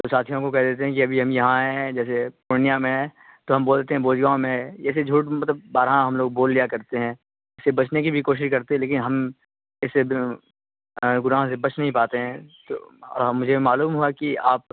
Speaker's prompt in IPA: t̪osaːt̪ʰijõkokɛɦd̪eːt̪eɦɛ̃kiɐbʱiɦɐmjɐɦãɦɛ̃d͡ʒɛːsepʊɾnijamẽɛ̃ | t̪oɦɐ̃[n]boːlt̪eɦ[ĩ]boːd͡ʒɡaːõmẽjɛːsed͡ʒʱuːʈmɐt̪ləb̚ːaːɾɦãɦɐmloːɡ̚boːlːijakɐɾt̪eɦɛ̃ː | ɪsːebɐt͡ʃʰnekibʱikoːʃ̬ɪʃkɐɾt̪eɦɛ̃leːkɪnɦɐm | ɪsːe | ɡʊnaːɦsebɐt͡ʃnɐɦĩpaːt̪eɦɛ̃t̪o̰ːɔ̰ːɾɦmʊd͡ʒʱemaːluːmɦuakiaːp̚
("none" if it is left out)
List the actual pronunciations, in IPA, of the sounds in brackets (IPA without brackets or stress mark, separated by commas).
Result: m, ɛ̃